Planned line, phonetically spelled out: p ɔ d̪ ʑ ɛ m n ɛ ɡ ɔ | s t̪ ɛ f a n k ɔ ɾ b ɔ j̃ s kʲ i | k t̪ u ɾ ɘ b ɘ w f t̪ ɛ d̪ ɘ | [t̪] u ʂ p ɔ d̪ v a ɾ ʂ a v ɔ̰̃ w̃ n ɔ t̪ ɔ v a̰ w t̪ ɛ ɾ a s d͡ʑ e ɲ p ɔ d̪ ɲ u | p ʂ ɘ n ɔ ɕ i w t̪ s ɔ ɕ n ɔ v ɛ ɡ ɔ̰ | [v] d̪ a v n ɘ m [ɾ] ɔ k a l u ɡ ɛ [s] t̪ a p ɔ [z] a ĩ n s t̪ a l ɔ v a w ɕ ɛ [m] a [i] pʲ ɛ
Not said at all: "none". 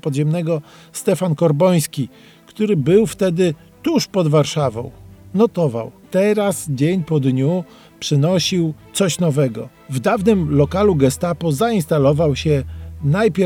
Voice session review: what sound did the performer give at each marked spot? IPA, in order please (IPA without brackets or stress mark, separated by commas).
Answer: t̪, v, l, s, z, n, j